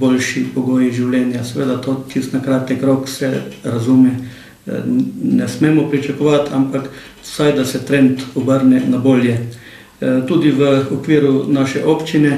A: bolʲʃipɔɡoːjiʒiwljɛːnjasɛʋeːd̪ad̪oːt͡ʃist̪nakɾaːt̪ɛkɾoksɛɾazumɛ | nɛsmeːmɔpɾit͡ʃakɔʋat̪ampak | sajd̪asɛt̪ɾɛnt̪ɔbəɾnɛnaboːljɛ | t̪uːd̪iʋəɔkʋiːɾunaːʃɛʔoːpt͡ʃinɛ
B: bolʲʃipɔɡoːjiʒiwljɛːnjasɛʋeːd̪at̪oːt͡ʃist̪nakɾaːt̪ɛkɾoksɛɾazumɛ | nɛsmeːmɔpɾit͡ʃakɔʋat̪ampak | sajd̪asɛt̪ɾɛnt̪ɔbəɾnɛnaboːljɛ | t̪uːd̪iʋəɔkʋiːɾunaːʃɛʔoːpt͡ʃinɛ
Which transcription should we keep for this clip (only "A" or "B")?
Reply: B